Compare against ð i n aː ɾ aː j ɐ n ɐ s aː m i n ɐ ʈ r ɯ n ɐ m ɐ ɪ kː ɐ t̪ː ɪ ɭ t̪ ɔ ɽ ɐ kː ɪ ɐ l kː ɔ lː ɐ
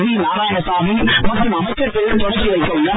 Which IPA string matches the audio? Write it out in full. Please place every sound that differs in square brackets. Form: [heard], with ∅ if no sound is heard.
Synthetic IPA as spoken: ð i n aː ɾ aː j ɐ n ɐ s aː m i [m] ɐ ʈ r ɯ [m] ɐ m ɐ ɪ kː ɐ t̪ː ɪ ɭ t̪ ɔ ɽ ɐ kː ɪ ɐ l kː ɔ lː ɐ